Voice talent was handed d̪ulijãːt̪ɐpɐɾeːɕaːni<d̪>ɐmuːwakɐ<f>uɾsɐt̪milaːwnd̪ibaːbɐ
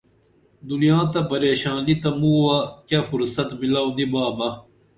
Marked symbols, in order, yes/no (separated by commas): no, yes